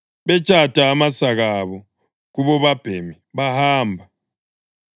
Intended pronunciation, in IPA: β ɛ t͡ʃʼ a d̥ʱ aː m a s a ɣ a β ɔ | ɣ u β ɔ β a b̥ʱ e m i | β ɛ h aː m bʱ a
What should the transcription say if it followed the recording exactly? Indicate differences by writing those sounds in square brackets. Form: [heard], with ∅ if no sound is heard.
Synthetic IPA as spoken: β ɛ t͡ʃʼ a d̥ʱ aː m a s a ɣ a β ɔ | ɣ u β ɔ β a b̥ʱ e m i | β [a] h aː m bʱ a